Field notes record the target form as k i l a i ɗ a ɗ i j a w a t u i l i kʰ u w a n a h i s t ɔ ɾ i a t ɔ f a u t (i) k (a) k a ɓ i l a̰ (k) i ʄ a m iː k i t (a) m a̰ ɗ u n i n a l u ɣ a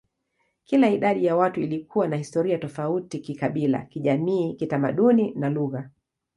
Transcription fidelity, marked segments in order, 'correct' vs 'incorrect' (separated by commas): correct, incorrect, correct, correct